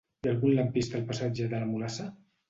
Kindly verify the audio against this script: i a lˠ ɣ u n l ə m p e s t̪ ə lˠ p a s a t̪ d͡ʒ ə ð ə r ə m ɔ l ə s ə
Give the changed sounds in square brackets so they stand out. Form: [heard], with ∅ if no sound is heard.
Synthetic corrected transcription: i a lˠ ɣ u n l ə m p [i] s t̪ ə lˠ p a s a [∅] d͡ʒ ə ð ə [l] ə m [u] l [a] s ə